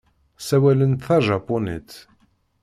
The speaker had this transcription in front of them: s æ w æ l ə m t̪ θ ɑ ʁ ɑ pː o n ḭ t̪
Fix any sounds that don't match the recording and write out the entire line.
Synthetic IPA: s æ w æ l ə n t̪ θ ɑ ʒ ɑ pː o n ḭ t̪